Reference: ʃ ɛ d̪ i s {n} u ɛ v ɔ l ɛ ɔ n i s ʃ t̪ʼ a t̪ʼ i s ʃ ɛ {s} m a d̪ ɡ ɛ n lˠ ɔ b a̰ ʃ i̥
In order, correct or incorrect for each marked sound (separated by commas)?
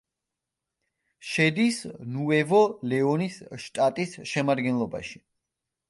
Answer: correct, incorrect